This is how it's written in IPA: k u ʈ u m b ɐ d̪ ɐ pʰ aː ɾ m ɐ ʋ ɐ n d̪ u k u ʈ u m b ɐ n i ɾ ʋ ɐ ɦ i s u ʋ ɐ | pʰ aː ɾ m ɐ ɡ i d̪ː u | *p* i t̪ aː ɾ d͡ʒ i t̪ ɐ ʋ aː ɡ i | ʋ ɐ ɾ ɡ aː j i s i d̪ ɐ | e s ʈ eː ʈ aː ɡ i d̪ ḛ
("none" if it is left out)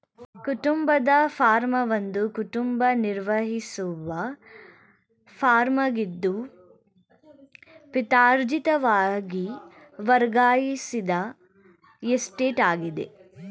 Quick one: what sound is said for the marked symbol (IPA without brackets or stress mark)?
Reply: p